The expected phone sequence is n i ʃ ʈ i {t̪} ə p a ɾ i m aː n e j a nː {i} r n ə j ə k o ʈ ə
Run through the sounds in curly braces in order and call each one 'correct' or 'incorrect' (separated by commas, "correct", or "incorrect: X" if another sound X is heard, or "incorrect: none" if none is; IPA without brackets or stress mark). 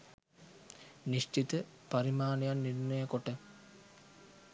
correct, correct